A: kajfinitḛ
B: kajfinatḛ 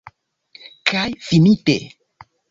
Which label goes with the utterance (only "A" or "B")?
A